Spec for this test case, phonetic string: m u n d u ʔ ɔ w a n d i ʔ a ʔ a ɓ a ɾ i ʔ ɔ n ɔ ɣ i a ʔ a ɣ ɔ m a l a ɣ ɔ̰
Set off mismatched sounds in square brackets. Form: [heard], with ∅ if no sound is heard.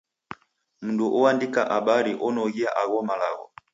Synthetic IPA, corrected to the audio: m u n d u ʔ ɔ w a n d i [k] a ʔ a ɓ a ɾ i ʔ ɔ n ɔ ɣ i a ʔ a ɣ ɔ m a l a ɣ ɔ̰